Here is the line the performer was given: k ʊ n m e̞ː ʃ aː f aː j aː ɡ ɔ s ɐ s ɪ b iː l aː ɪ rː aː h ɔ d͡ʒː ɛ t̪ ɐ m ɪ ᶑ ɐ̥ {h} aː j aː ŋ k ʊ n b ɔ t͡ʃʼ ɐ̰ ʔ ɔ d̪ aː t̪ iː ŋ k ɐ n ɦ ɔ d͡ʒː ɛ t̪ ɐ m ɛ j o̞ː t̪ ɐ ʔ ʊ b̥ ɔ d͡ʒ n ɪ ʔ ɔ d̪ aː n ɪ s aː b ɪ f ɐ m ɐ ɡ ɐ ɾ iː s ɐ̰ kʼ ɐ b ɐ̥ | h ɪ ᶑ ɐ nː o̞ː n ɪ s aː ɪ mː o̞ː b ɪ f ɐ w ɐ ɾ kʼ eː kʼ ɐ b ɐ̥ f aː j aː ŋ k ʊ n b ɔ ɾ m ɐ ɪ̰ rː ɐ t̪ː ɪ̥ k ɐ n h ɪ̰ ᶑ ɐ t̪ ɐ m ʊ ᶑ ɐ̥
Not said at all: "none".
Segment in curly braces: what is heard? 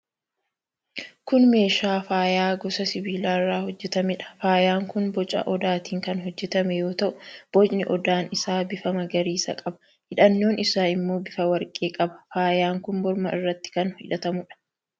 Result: f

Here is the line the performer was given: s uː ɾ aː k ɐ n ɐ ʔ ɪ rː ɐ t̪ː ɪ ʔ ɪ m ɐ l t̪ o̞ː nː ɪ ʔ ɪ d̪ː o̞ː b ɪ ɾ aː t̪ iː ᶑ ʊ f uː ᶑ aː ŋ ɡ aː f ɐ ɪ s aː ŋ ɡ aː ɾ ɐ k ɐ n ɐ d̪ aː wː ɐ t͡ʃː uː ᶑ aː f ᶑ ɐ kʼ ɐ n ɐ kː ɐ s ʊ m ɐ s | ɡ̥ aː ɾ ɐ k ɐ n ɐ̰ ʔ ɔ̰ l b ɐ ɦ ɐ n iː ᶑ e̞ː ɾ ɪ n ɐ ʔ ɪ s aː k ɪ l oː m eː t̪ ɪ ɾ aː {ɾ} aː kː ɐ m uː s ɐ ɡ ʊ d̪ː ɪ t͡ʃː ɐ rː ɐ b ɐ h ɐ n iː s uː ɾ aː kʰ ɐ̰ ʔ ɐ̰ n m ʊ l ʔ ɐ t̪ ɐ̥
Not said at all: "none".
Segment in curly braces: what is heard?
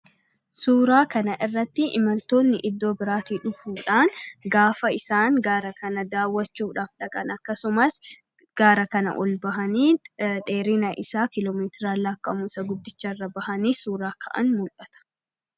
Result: l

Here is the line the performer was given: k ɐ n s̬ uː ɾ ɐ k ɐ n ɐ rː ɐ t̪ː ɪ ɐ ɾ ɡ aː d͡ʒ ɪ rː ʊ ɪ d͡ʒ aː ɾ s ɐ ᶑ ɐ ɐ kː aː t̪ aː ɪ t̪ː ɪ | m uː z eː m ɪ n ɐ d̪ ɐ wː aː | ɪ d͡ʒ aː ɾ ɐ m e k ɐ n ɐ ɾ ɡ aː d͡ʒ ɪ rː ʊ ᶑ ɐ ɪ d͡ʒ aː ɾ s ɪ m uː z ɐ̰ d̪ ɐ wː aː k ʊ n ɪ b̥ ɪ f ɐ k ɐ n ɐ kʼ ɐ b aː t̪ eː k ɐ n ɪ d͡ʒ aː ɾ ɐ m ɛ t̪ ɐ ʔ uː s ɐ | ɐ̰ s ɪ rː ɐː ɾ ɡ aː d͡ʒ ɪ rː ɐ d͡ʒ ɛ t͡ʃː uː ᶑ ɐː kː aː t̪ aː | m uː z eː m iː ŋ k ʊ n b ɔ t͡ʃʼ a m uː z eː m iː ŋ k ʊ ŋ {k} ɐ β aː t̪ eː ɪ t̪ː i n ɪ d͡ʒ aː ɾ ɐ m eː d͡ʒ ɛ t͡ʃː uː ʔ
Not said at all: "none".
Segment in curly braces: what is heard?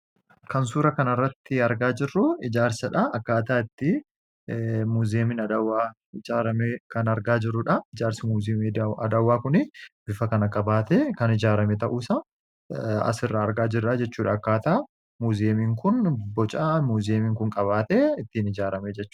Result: kʼ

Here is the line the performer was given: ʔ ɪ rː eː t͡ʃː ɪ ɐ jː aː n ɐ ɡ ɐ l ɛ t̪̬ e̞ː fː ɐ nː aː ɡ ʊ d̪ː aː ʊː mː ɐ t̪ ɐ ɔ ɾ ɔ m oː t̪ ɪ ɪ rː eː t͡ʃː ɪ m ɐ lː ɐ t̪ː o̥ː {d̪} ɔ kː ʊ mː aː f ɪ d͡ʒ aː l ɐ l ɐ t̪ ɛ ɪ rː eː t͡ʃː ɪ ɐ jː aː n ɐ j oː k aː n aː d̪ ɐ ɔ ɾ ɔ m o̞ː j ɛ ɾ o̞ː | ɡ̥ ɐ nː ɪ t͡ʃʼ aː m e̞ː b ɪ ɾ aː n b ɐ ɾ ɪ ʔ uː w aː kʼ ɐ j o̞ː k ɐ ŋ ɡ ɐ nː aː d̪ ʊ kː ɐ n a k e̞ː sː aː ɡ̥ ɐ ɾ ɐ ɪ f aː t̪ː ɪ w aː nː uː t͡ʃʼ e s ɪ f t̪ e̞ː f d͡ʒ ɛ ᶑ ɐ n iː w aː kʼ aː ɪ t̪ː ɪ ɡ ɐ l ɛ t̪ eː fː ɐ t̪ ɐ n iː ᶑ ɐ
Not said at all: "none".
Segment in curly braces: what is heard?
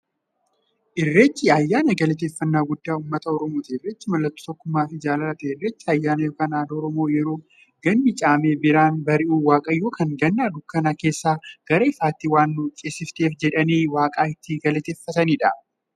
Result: t̪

